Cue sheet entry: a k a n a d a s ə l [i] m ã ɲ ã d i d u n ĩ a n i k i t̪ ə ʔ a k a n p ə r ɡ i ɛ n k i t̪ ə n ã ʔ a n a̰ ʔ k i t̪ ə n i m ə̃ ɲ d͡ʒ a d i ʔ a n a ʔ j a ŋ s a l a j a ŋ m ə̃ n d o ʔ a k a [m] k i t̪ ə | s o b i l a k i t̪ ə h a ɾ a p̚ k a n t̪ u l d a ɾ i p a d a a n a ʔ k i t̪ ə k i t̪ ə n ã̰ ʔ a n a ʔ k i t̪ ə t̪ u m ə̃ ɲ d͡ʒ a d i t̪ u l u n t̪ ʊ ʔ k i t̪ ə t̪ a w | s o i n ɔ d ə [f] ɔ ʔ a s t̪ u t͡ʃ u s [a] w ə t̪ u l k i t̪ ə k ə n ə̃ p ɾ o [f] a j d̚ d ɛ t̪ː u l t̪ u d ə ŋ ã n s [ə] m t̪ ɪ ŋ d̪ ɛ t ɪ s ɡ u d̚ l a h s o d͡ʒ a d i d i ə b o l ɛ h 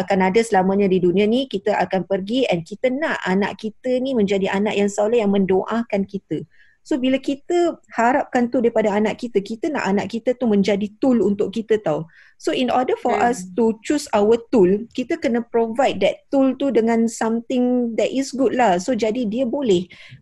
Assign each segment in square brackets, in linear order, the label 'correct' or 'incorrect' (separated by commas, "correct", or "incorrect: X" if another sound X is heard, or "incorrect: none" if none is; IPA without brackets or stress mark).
incorrect: a, incorrect: n, correct, correct, incorrect: v, incorrect: a